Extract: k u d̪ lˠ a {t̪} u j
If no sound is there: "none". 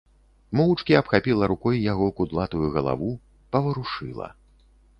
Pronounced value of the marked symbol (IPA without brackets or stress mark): t̪